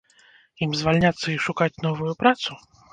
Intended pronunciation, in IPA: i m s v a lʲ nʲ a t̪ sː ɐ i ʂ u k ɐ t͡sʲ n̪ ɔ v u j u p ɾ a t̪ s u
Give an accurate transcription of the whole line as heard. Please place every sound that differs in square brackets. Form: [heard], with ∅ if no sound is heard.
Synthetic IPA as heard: i m [z] v a lʲ nʲ a t̪ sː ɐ i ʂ u k [a] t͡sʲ n̪ ɔ v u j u p ɾ a t̪ s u